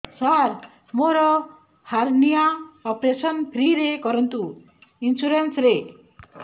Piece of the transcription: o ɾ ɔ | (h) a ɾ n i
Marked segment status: correct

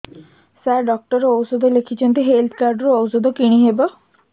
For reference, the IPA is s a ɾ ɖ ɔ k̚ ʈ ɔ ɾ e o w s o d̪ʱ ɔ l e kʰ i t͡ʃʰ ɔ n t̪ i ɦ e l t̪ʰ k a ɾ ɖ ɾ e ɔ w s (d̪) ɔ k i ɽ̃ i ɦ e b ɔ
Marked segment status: correct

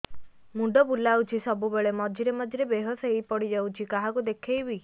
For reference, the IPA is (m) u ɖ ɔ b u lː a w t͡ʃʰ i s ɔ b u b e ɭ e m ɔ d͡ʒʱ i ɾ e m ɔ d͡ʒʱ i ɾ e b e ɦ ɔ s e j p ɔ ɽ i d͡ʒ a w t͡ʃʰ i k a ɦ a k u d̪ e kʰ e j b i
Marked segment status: correct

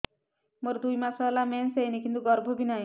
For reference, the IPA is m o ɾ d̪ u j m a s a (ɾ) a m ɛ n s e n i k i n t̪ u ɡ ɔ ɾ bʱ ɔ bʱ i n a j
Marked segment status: incorrect: l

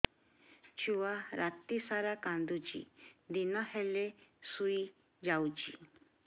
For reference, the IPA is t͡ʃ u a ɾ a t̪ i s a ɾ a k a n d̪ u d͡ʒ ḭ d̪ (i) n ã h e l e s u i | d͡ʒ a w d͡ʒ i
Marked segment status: correct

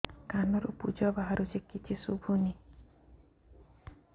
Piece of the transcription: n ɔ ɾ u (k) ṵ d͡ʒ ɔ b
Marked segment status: incorrect: p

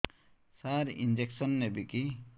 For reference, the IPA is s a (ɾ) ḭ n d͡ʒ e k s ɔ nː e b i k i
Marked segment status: correct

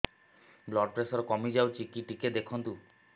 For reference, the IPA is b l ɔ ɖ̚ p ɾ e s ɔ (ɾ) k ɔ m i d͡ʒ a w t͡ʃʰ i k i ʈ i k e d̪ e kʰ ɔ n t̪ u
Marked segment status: correct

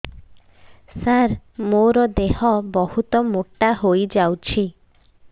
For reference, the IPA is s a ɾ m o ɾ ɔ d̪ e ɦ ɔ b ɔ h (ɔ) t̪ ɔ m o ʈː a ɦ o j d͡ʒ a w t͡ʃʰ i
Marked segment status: incorrect: u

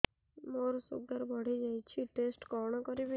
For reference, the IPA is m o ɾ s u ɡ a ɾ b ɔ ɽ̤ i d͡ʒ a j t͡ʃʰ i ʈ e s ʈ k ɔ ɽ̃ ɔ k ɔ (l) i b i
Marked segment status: incorrect: ɾ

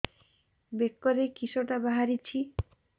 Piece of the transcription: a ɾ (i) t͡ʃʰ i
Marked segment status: correct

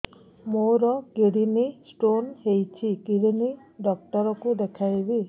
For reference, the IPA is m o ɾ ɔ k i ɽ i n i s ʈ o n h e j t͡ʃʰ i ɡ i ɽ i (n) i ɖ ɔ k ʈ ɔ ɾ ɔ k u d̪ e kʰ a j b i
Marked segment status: correct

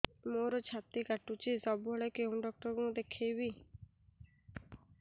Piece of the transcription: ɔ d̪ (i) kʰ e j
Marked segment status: incorrect: e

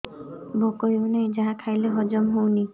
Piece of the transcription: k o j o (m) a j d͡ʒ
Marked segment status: incorrect: n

